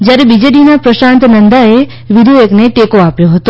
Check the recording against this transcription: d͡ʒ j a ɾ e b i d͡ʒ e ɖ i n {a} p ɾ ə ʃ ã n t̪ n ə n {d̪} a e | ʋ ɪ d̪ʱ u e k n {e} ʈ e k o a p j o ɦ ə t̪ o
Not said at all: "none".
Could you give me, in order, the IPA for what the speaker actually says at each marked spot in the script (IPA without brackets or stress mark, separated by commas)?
a, d̪, e